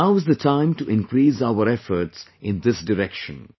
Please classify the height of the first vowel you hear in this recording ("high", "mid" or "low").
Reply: low